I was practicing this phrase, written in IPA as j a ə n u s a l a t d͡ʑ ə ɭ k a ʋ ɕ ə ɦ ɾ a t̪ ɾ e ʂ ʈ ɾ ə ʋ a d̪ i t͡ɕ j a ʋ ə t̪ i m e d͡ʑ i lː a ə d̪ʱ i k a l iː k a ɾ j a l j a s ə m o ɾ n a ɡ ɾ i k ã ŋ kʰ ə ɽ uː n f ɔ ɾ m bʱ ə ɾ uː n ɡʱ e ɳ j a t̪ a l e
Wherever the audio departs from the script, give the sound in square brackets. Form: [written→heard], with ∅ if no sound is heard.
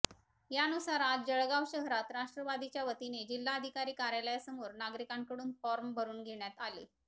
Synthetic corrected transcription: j a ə n u s a [l→ɾ] a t d͡ʑ ə ɭ [k→ɡ] a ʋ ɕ ə ɦ ɾ a t̪ ɾ [e→a] ʂ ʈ ɾ ə ʋ a d̪ i t͡ɕ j a ʋ ə t̪ i [m→n] e d͡ʑ i lː a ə d̪ʱ i k a [l→ɾ] iː k a ɾ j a l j a s ə m o ɾ n a ɡ ɾ i k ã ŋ [kʰ→k] ə ɽ uː n f ɔ ɾ m bʱ ə ɾ uː n ɡʱ e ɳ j a t̪ a l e